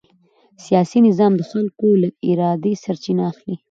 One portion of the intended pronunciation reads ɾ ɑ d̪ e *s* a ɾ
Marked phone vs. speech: correct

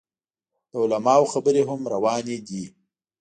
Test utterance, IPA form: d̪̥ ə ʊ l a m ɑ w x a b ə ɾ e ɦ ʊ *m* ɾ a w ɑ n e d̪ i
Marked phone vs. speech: correct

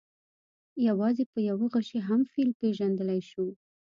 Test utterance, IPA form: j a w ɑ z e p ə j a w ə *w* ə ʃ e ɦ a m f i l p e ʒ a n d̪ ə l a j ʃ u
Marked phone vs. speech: incorrect: ɣ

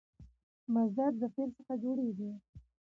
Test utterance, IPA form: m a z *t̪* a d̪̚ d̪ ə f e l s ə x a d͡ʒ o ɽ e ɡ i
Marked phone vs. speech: incorrect: d̪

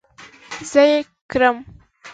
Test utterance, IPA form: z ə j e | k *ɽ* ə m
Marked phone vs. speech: incorrect: ɾ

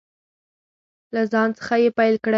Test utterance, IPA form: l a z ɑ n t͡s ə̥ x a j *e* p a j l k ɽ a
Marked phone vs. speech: correct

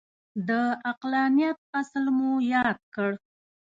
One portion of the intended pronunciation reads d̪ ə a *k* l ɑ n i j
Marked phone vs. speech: incorrect: q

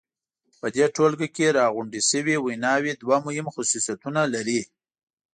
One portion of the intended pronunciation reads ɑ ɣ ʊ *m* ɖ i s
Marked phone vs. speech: incorrect: ɳ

